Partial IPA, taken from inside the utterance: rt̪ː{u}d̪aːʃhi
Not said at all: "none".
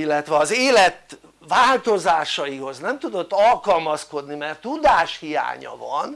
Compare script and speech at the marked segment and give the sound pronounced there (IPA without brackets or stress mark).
u